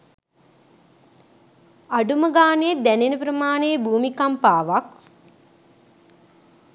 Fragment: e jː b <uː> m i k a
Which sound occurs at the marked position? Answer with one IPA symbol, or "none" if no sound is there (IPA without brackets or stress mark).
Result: uː